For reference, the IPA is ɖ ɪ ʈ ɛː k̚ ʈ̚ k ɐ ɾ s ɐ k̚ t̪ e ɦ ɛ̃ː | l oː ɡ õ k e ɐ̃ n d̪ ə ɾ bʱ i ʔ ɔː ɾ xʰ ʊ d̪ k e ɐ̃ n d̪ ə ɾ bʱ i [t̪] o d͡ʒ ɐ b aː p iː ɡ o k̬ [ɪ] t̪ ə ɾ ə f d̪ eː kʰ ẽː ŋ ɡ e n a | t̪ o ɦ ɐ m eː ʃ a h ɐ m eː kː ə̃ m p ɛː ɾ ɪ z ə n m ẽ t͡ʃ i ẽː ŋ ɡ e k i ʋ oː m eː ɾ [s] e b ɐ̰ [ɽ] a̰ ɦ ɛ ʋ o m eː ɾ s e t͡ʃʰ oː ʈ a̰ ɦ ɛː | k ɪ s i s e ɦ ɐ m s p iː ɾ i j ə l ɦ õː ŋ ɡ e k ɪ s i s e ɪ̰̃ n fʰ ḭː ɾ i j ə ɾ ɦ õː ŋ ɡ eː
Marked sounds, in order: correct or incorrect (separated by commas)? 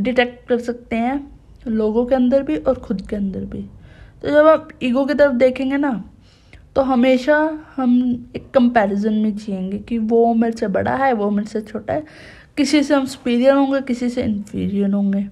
correct, incorrect, correct, correct